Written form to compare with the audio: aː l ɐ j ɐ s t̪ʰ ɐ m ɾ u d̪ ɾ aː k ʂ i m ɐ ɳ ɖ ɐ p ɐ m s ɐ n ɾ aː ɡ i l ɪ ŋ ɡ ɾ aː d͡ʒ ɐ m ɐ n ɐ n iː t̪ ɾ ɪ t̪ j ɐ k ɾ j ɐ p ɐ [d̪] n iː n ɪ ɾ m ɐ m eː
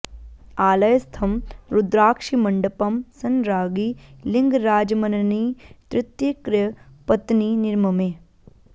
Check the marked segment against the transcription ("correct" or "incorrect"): incorrect